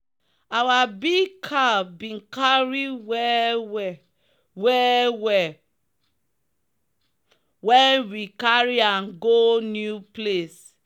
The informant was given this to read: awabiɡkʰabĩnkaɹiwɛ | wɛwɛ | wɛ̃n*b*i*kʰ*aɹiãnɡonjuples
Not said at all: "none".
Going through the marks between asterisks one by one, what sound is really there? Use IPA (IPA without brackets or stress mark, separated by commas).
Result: w, k